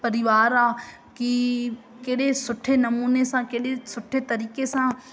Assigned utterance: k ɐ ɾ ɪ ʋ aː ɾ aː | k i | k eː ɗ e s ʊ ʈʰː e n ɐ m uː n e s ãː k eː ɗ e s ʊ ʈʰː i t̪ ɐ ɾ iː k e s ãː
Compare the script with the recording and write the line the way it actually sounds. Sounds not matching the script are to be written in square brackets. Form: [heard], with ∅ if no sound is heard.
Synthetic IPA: [p] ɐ ɾ ɪ ʋ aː ɾ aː | k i | k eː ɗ e s ʊ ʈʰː e n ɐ m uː n e s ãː k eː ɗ e s ʊ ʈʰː [e] t̪ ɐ ɾ iː k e s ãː